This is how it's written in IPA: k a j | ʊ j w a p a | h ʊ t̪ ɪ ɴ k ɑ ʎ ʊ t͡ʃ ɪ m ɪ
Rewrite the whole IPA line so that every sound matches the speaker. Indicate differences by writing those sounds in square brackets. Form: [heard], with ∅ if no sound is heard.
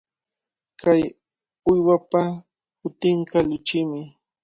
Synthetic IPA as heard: k a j | ʊ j w a p a | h ʊ t̪ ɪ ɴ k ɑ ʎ ʊ t͡ʃ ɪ m ɪ

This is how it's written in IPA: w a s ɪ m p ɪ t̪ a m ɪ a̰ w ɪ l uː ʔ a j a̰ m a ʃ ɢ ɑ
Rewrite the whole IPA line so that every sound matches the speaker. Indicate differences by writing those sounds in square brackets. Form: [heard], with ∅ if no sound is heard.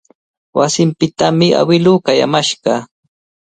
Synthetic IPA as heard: w a s ɪ m p ɪ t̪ a m ɪ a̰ w ɪ l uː [k] a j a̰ m a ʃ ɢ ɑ

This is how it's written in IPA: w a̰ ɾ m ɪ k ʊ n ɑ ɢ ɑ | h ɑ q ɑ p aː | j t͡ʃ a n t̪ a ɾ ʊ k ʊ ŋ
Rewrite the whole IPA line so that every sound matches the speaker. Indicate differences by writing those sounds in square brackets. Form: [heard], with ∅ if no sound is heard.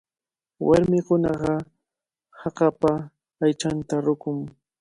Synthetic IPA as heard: w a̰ ɾ m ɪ k ʊ n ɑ ɢ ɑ | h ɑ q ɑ p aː | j t͡ʃ a n t̪ a ɾ ʊ k ʊ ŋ

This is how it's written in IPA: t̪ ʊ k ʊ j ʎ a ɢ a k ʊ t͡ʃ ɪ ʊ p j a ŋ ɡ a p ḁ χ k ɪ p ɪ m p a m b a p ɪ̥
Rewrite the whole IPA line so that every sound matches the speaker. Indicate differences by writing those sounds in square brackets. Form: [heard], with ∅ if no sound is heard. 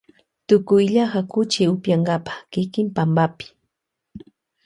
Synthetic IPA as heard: t̪ ʊ k ʊ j ʎ a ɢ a k ʊ t͡ʃ ɪ ʊ p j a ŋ ɡ a p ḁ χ k ɪ [k] ɪ m p a m b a p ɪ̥

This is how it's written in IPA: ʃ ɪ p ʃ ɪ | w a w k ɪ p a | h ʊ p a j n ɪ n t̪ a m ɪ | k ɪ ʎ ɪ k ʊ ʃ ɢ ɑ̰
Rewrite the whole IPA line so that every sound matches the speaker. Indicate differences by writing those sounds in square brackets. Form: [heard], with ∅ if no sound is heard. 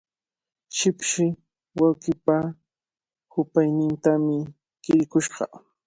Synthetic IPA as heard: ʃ ɪ p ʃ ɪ | w a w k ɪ p a | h ʊ p a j n ɪ n t̪ a m ɪ | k ɪ [ɾ] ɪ k ʊ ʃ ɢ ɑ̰

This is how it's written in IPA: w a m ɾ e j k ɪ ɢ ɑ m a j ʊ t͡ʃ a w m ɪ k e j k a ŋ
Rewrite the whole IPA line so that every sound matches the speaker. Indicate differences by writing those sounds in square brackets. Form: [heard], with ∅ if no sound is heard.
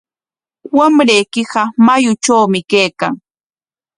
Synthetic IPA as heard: w a m ɾ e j k ɪ ɢ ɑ m a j ʊ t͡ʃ a w m ɪ k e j k a ŋ

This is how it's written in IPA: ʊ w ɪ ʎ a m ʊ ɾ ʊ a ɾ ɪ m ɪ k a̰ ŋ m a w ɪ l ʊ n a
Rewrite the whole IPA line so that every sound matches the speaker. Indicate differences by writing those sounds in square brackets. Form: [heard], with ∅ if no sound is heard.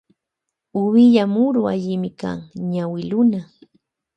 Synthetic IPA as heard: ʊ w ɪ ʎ a m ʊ ɾ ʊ a [ʎ] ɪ m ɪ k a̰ ŋ [ɲ] a w ɪ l ʊ n a

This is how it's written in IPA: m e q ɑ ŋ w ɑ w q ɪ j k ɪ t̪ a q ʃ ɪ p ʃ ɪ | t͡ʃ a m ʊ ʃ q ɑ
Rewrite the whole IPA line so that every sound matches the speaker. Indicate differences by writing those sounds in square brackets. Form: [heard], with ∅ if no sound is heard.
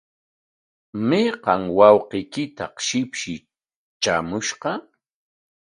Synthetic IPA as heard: m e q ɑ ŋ w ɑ w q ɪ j k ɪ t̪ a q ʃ ɪ p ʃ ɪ | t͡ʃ a m ʊ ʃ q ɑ

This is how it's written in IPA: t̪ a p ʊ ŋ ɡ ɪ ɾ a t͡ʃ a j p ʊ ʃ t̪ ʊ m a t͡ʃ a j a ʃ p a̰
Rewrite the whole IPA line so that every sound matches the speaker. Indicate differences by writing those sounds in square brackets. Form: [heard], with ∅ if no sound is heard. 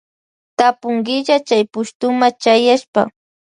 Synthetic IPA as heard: t̪ a p ʊ ŋ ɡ ɪ [ʎ] a t͡ʃ a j p ʊ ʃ t̪ ʊ m a t͡ʃ a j a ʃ p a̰

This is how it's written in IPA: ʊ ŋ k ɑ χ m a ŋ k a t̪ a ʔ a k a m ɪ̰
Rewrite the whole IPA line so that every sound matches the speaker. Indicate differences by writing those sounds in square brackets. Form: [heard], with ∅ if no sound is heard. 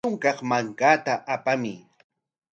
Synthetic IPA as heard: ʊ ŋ k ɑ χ m a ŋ k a t̪ a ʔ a [p] a m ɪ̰

